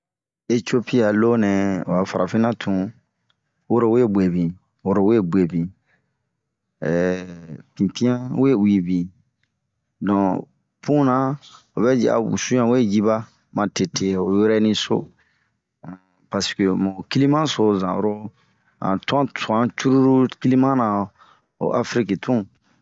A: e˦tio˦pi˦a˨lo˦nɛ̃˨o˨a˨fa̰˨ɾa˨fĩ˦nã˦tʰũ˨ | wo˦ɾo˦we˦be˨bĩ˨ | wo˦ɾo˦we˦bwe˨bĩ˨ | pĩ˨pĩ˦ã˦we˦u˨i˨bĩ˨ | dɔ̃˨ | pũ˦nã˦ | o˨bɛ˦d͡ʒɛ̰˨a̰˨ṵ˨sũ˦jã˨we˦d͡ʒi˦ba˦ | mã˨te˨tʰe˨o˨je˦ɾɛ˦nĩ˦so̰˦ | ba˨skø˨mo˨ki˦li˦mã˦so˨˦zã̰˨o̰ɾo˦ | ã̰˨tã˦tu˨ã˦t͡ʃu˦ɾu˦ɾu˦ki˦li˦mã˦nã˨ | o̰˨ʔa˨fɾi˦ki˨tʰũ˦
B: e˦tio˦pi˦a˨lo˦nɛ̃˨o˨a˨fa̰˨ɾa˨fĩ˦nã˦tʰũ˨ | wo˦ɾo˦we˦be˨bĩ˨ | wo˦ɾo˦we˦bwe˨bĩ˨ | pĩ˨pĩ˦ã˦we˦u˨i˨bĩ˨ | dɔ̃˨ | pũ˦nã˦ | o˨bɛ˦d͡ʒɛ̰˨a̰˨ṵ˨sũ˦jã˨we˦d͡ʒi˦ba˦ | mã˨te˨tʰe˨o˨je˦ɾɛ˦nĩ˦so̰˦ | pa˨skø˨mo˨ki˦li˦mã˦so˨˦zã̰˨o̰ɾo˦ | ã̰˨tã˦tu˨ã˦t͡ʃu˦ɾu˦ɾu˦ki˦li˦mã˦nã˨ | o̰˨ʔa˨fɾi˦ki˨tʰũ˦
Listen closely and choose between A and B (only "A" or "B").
B